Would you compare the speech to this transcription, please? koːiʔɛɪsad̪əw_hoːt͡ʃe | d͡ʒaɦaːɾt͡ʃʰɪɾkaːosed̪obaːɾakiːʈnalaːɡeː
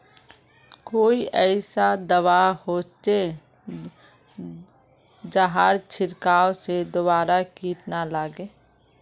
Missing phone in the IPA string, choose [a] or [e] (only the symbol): a